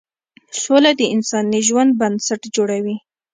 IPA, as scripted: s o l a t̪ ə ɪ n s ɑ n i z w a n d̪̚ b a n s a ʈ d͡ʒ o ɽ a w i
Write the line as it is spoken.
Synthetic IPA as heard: s o l a d̪ ə ɪ n s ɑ n i ʒ w a n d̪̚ b a n s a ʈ d͡ʒ o ɽ a w i